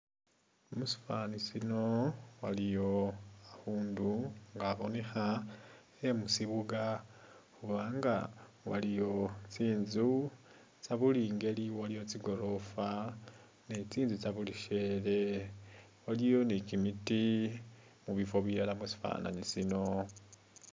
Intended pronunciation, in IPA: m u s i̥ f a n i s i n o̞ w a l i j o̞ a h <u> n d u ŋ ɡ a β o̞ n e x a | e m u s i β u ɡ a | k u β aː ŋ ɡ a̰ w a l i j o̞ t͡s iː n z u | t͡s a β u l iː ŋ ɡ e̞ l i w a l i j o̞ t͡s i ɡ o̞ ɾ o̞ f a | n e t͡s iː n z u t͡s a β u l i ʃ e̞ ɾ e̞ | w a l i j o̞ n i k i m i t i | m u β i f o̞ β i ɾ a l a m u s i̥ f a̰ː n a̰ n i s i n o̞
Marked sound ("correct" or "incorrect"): incorrect